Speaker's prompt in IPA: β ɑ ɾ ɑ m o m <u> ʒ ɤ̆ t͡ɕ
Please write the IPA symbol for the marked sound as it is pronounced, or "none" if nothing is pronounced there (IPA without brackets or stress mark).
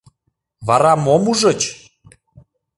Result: u